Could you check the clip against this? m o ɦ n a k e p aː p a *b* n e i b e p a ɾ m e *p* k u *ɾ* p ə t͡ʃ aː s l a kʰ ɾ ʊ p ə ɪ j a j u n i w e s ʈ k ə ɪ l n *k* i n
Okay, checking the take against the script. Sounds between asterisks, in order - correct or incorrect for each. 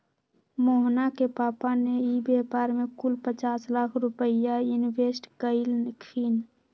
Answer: incorrect: none, incorrect: none, incorrect: l, incorrect: kʰ

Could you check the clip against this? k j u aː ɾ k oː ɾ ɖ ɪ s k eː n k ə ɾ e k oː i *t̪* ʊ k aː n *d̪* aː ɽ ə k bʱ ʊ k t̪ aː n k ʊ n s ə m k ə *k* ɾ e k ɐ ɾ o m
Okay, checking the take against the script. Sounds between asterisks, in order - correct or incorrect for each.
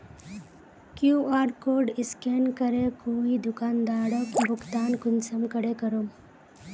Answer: incorrect: d̪, correct, incorrect: none

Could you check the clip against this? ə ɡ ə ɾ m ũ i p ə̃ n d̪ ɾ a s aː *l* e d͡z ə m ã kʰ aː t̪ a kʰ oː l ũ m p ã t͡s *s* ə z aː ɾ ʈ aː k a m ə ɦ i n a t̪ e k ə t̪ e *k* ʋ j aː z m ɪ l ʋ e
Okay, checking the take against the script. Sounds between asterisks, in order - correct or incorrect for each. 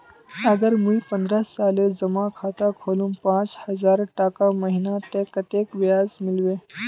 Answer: correct, incorrect: h, correct

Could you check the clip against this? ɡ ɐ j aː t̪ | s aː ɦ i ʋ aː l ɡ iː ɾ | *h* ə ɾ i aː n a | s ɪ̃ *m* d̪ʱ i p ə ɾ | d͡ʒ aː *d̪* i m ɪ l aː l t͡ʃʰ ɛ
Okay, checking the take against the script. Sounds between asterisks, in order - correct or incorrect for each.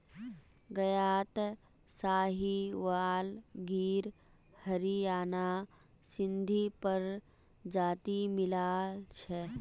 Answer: correct, incorrect: n, incorrect: t̪

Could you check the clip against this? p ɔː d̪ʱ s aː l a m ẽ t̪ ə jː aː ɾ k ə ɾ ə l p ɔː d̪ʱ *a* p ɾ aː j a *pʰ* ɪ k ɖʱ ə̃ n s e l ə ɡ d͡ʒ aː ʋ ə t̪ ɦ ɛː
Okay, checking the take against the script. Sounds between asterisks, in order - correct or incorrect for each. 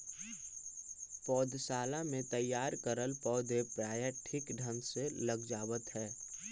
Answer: incorrect: e, incorrect: ʈʰ

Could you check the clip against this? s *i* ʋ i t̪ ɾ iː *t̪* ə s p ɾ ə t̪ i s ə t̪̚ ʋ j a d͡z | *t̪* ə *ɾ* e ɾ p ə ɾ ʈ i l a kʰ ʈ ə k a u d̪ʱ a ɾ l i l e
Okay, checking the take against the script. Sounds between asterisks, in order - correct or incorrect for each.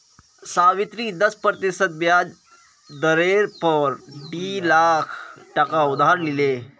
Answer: incorrect: a, incorrect: d̪, incorrect: d̪, correct

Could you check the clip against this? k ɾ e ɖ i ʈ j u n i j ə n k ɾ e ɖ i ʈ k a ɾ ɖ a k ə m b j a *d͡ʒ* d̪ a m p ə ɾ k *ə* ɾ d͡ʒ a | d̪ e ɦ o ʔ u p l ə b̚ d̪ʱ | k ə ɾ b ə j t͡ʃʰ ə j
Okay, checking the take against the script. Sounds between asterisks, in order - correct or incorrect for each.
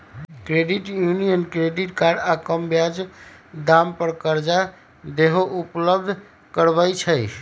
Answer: correct, correct

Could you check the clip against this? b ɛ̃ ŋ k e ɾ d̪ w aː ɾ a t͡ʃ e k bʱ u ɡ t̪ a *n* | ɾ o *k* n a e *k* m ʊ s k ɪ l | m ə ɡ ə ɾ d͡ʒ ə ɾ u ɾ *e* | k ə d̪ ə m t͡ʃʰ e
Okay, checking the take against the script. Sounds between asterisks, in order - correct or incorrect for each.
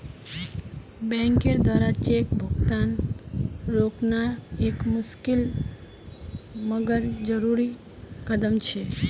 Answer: correct, correct, correct, incorrect: i

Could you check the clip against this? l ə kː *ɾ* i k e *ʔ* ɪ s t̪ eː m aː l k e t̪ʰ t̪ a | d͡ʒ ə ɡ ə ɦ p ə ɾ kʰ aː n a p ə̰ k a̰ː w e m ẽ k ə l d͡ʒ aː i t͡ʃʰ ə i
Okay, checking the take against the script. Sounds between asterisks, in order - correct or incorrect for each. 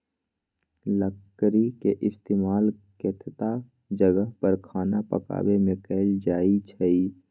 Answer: correct, correct

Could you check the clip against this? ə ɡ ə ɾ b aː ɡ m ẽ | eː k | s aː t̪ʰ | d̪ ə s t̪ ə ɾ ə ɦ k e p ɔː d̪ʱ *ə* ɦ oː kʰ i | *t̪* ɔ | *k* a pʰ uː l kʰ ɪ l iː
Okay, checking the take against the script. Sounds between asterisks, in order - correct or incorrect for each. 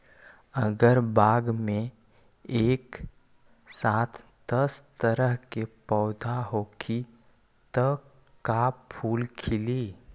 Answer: incorrect: a, correct, correct

